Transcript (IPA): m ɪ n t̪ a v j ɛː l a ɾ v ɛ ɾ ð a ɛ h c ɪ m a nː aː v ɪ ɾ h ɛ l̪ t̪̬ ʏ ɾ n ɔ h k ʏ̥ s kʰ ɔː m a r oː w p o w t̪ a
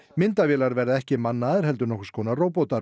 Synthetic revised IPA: m ɪ n t̪ a v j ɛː l a ɾ v ɛ ɾ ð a ɛ h c ɪ m a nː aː ð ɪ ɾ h ɛ l̪ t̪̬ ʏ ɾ n ɔ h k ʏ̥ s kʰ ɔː n a r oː w p o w t̪ a